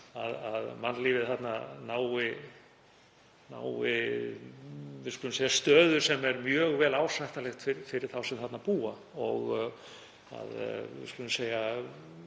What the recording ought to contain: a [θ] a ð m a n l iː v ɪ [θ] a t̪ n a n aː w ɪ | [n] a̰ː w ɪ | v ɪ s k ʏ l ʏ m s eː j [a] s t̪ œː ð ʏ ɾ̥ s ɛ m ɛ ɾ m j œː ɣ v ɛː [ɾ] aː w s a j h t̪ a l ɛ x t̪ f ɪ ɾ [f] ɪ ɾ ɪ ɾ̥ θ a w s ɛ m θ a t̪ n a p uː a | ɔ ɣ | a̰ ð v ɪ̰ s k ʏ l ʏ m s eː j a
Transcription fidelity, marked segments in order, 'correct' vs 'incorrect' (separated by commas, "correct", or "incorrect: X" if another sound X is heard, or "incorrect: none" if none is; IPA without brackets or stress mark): incorrect: ð, correct, correct, correct, incorrect: l, correct